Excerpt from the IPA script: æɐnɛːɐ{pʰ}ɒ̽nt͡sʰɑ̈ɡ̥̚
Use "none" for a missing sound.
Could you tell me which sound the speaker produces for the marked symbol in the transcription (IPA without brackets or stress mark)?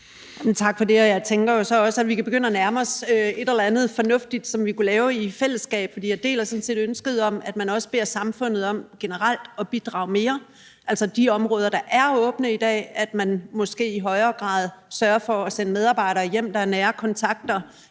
kʰ